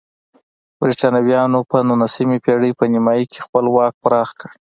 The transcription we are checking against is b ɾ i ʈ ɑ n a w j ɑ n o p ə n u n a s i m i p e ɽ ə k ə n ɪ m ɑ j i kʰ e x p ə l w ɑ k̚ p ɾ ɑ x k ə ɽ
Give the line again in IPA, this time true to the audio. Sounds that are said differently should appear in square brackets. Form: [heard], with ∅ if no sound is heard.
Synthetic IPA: b ɾ i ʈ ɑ n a w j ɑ n o p ə n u n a s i m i p e ɽ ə [p] ə n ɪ m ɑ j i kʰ e x p ə l w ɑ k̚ p ɾ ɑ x k ə ɽ